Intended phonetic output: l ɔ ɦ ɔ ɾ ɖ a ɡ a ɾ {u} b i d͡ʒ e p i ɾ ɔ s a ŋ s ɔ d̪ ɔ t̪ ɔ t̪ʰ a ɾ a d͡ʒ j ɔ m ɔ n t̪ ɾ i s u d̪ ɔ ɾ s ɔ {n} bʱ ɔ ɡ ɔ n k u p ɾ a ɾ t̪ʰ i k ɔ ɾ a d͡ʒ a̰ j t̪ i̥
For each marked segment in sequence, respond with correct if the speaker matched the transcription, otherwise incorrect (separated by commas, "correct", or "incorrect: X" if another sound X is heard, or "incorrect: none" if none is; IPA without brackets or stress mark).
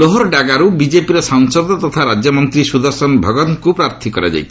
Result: correct, correct